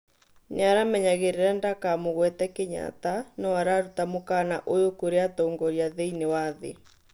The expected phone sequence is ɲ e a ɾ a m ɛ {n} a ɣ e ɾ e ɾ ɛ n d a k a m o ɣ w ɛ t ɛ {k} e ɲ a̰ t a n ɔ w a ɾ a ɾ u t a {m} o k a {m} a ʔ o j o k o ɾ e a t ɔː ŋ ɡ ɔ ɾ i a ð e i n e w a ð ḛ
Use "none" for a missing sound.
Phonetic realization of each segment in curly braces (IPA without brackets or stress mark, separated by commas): ɲ, k, m, n